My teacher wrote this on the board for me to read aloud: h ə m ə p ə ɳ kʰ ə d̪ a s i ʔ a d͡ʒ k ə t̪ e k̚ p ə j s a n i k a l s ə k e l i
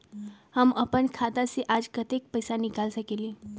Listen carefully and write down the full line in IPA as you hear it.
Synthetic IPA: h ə m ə p ə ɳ kʰ a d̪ a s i ʔ a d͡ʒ k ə t̪ e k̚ p ə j s a n i k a l s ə k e l i